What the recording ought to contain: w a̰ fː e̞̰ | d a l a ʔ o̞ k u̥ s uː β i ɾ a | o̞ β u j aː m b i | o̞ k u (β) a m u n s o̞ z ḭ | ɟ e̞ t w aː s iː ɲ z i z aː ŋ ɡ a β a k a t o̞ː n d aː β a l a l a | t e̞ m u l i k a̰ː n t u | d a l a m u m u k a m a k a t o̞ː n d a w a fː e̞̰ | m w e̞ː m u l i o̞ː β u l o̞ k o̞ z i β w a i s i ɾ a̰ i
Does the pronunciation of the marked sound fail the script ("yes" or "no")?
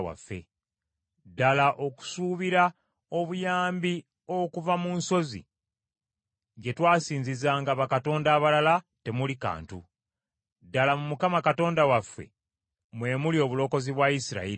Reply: yes